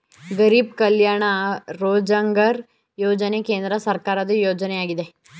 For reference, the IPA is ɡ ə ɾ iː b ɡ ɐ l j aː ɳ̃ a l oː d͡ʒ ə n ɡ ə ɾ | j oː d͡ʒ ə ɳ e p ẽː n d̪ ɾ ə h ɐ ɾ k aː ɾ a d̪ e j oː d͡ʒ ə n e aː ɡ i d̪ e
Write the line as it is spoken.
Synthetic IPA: ɡ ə ɾ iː b k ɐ l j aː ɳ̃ a ɾ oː d͡ʒ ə ŋ ɡ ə ɾ | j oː d͡ʒ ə n e k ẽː n d̪ ɾ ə s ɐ ɾ k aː ɾ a d̪ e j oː d͡ʒ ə n e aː ɡ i d̪ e